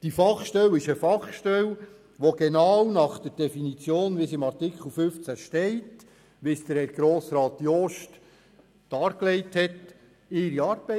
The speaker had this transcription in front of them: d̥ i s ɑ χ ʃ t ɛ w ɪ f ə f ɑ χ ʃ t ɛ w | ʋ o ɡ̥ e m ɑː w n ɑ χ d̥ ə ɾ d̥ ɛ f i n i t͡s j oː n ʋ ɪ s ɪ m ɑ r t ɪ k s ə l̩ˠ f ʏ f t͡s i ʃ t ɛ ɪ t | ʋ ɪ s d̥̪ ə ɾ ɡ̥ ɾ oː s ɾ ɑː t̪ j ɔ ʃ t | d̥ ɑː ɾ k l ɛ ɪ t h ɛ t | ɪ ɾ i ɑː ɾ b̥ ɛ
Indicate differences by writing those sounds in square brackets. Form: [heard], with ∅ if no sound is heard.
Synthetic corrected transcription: d̥ i [f] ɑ χ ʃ t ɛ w ɪ [ʃ] ə f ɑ χ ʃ t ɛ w | ʋ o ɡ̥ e [n] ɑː w n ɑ χ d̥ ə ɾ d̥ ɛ f i n i t͡s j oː n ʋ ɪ s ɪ m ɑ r t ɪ k [χ] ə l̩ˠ f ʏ f t͡s [æ] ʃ t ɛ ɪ t | ʋ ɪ s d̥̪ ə ɾ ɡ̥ ɾ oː s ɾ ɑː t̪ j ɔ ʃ t | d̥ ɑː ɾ k l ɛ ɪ t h ɛ t | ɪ ɾ i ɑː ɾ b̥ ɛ